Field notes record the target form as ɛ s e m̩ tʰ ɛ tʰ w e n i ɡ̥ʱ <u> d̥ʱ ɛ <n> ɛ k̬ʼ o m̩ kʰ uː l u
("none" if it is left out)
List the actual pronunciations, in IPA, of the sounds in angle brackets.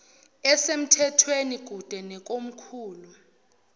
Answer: u, n

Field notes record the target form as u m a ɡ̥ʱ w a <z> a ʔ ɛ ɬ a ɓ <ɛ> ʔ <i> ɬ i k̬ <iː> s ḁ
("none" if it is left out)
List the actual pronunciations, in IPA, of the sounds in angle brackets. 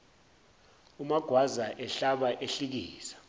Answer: z, a, e, iː

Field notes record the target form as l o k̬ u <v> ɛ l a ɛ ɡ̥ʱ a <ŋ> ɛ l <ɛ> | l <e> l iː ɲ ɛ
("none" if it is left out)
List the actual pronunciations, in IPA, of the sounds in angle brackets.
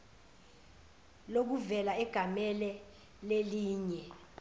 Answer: v, m, ɛ, e

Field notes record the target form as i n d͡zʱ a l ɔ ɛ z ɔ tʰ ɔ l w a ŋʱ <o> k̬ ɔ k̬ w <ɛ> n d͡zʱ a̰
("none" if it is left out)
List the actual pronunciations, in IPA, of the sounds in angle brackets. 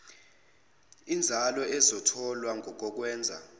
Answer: ɔ, ɛː

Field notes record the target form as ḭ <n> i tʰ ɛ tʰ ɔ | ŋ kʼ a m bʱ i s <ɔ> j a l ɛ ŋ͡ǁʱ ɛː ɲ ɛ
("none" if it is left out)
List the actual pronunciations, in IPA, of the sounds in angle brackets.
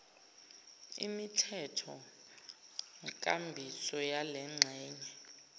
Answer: m, ɔ

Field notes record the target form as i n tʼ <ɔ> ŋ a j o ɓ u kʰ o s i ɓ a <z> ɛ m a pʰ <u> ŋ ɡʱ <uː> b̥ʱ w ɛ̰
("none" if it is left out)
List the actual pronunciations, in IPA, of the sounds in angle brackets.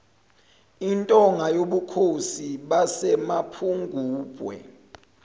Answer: ɔ, s, u, uː

